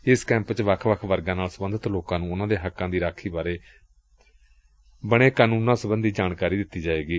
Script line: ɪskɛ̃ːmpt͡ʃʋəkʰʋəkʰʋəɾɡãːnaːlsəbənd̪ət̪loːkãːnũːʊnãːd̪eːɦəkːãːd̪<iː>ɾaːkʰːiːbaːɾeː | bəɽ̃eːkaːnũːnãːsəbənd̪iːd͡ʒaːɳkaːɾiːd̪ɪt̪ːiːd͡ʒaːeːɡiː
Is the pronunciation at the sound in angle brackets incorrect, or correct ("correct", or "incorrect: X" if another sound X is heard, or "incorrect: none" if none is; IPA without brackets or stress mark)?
correct